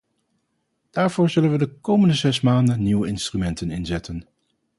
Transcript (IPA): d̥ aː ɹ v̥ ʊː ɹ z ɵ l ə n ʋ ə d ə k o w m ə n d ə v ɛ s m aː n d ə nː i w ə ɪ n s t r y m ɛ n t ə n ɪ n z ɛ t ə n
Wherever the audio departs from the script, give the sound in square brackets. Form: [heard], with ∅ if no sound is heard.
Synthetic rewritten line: d̥ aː ɹ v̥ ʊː ɹ z ɵ l ə n ʋ ə d ə k o w m ə n d ə [z] ɛ s m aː n d ə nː i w ə ɪ n s t r y m ɛ n t ə n ɪ n z ɛ t ə n